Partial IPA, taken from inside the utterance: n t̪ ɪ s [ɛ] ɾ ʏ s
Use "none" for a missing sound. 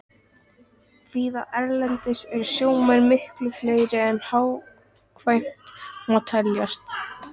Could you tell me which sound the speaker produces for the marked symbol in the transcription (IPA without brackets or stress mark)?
ɛ